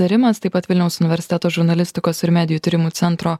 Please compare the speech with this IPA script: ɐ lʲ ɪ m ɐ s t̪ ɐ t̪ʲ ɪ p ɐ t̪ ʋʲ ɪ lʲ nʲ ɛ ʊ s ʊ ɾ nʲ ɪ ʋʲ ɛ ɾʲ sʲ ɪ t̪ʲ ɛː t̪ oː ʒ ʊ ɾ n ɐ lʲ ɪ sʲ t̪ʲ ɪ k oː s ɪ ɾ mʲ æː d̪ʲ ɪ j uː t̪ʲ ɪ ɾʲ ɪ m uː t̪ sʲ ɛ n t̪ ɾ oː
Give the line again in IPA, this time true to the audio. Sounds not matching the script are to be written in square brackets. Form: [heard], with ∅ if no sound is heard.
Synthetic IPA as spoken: ɐ [ɾʲ] ɪ m ɐ s t̪ ɐ [∅] ɪ p ɐ t̪ ʋʲ ɪ lʲ nʲ ɛ ʊ s ʊ [∅] nʲ ɪ ʋʲ ɛ ɾʲ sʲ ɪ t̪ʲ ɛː t̪ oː ʒ ʊ ɾ n ɐ lʲ ɪ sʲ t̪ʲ ɪ k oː s ɪ ɾ mʲ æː d̪ʲ ɪ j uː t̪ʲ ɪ ɾʲ ɪ m uː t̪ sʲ ɛ n t̪ ɾ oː